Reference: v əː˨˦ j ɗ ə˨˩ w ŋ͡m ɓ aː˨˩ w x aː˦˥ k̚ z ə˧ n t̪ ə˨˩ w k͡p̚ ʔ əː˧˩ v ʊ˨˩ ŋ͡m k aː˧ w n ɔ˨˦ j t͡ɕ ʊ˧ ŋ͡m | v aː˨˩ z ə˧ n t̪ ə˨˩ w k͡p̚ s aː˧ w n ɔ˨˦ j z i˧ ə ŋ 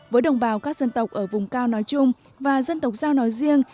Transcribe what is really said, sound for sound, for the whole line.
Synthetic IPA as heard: v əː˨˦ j ɗ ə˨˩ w ŋ͡m ɓ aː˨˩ w k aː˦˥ k̚ z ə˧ n t̪ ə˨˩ w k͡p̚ ʔ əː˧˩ v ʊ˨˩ ŋ͡m k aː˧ w n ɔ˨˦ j t͡ɕ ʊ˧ ŋ͡m | v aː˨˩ z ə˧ n t̪ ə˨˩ w k͡p̚ z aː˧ w n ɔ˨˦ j z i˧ ə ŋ